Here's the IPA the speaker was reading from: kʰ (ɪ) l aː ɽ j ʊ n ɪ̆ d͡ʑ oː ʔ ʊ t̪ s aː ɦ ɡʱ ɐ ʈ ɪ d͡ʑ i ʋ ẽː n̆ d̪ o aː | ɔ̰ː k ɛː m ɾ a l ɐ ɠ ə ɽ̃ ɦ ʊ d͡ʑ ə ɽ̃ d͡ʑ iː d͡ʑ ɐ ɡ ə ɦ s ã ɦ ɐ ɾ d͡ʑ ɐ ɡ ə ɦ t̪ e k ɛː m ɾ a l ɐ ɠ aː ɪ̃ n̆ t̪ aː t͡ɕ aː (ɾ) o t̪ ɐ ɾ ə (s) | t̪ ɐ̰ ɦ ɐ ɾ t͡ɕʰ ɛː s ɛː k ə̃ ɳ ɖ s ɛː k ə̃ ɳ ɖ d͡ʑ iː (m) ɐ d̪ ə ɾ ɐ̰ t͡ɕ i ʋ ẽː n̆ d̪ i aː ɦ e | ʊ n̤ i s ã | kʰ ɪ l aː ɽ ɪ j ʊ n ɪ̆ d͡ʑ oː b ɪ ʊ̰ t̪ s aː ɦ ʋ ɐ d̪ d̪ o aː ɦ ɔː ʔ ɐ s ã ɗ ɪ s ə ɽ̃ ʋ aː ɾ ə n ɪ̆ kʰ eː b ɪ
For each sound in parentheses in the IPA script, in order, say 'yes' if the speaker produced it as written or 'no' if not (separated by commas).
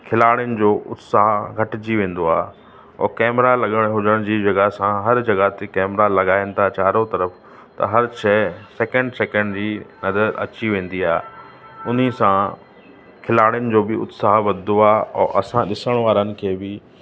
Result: yes, yes, no, no